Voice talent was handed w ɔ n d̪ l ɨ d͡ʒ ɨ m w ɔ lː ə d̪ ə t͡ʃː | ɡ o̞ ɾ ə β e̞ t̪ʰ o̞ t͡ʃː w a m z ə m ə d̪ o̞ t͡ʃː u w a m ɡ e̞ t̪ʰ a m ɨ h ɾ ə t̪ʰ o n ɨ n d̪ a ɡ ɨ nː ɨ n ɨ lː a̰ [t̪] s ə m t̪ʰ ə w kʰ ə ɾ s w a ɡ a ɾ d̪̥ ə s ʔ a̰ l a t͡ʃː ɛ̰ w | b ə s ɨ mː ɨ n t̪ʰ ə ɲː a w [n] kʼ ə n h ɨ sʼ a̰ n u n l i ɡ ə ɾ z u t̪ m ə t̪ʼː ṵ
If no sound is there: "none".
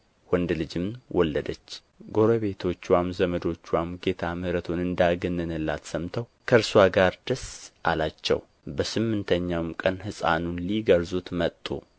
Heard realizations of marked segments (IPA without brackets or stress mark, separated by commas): t̪, m